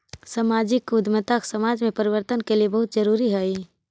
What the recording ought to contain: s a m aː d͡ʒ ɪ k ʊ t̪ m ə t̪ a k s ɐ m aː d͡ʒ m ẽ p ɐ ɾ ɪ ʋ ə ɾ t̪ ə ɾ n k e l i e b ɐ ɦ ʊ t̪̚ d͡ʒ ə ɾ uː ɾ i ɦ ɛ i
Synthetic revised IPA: s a m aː d͡ʒ ɪ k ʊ d̪ m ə t̪ a k s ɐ m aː d͡ʒ m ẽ p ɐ ɾ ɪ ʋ ə ɾ t̪ ə n k e l i e b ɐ ɦ ʊ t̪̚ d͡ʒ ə ɾ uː ɾ i ɦ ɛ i